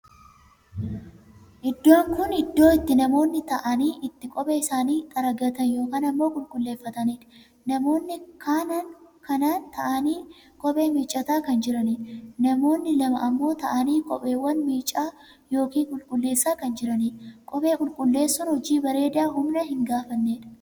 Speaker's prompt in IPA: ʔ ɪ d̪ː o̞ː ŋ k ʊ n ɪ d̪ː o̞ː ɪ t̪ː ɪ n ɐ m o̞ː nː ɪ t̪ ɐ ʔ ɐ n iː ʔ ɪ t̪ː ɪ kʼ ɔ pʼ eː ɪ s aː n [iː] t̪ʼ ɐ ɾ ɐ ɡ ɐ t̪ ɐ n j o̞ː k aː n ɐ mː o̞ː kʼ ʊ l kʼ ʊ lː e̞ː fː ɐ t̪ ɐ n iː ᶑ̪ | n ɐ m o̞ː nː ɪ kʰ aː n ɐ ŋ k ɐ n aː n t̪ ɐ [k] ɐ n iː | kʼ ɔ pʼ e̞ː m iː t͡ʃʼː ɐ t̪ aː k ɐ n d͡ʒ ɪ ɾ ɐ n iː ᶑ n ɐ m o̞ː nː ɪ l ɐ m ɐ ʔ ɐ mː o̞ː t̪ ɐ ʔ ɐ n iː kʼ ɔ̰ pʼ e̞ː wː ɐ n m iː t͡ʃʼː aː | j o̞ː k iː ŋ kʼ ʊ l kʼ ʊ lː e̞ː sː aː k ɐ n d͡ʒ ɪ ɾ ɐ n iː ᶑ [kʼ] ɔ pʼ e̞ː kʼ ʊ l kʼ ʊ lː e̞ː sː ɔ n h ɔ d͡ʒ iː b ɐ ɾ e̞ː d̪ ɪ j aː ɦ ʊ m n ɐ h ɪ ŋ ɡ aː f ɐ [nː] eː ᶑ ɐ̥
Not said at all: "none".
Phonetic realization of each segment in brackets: iː, ʔ, kʼ, nː

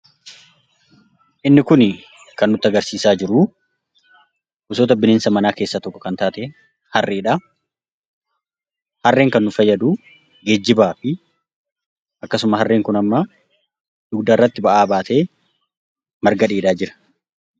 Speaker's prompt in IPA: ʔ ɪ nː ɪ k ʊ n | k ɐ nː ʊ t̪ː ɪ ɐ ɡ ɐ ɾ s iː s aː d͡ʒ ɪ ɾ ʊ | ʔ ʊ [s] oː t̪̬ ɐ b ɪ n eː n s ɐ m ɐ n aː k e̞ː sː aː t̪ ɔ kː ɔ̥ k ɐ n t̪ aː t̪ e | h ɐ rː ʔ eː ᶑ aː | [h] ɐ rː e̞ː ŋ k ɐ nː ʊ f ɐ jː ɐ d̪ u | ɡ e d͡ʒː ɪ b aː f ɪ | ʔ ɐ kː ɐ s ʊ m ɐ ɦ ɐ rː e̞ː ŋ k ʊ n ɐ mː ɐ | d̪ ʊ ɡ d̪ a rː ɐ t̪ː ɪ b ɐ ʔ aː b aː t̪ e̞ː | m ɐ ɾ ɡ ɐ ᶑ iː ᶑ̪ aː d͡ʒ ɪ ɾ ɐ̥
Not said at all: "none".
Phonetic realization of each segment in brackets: s, h

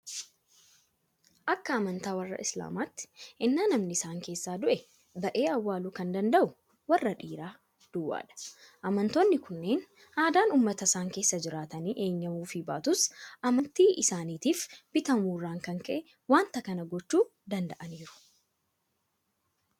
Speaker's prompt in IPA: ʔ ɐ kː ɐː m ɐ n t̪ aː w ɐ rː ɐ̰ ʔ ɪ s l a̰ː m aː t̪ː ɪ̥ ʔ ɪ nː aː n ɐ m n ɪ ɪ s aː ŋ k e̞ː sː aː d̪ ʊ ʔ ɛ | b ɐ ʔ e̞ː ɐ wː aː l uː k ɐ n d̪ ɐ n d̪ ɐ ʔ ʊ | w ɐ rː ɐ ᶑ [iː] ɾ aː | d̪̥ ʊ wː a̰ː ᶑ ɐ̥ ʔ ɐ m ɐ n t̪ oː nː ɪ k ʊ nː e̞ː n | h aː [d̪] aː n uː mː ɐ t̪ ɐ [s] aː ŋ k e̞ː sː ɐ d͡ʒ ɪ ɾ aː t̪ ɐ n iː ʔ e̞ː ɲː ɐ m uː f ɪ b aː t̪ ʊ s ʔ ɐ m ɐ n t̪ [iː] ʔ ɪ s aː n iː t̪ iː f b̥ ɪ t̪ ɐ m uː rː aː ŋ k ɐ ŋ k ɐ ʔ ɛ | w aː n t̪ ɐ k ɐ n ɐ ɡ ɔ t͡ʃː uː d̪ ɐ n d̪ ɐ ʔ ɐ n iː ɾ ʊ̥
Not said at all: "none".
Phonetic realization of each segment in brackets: iː, d̪, s, iː

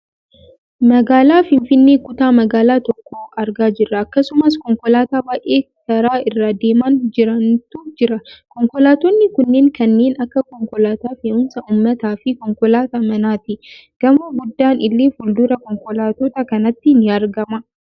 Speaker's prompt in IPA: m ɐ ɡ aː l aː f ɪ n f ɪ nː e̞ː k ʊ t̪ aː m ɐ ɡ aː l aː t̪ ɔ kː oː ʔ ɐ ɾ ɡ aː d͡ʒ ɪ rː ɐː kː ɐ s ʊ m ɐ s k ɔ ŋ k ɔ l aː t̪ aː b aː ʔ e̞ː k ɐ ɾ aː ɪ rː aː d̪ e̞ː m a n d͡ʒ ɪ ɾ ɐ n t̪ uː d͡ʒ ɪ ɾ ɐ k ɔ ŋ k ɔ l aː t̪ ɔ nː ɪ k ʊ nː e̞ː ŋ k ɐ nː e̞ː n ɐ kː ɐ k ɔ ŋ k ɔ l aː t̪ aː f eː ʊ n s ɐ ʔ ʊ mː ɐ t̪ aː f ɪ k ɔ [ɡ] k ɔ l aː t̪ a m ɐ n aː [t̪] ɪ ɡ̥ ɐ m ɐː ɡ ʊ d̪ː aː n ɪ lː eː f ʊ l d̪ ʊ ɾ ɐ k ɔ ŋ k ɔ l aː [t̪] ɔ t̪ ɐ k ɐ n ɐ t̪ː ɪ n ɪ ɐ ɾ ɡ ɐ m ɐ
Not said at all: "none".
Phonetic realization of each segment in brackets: ŋ, t̪, t̪

